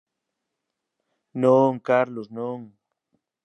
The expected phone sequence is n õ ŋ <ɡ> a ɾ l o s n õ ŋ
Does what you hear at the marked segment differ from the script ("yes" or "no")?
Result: yes